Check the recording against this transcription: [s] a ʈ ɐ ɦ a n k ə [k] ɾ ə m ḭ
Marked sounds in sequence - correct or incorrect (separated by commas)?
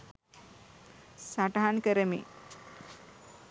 correct, incorrect